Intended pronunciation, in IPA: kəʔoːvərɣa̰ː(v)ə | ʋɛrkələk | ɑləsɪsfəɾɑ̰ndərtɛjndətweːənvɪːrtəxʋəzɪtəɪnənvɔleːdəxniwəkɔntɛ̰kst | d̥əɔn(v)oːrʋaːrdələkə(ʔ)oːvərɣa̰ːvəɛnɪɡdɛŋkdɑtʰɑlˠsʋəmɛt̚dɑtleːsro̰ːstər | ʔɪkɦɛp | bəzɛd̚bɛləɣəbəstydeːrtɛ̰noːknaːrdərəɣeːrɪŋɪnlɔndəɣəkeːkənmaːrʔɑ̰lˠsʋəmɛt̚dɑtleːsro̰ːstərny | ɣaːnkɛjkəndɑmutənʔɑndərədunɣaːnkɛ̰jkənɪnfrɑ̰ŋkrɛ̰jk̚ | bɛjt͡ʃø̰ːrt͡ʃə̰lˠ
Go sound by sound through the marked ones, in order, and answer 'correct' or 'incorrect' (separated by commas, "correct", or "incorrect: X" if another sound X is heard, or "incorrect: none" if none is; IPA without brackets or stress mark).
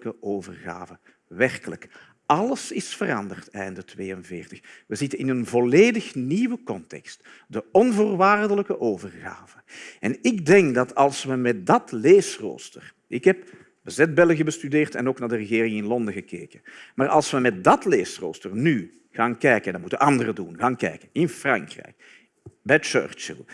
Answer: correct, correct, correct